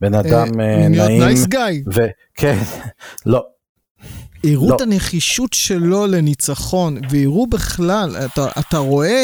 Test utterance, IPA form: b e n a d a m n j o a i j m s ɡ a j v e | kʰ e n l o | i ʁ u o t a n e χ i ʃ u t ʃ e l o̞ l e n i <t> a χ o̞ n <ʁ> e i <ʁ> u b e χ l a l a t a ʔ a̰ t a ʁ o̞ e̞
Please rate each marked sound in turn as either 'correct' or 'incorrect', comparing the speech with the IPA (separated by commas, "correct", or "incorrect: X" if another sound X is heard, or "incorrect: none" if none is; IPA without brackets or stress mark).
incorrect: t͡s, incorrect: v, correct